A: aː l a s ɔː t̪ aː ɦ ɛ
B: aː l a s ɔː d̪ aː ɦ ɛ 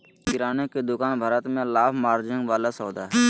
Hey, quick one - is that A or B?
B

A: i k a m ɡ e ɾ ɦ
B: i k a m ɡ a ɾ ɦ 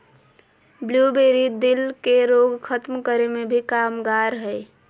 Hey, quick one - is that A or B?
B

